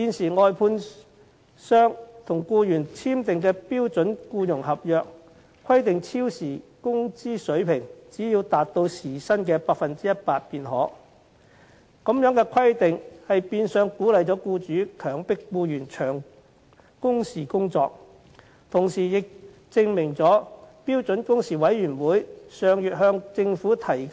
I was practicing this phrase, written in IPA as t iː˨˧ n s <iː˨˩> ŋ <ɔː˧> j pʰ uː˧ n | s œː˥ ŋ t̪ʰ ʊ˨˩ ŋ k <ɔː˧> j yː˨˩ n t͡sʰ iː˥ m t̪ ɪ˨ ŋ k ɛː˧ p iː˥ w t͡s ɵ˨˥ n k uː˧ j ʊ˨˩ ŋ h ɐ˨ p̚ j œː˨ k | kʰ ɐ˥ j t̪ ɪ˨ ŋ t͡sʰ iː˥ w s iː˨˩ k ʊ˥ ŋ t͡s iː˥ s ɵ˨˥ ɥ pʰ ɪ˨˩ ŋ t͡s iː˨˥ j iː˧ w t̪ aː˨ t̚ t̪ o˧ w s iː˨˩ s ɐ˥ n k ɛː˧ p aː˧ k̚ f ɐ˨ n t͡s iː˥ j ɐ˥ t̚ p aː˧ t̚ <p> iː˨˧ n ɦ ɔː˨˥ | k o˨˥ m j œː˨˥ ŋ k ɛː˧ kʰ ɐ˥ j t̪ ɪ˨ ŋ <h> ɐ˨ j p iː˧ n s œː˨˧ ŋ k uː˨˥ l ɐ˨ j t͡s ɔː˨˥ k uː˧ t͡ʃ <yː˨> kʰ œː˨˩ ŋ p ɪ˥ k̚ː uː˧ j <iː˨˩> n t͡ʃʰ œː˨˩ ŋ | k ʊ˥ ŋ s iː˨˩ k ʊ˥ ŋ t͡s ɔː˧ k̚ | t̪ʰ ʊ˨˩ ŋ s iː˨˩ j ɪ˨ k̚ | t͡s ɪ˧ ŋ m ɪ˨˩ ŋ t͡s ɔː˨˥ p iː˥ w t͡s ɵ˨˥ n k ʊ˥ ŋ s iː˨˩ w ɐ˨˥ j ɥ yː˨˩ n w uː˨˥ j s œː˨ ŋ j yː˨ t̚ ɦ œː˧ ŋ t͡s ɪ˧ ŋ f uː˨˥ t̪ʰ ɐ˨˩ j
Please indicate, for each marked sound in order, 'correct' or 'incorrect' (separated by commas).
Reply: correct, correct, incorrect, correct, correct, incorrect, incorrect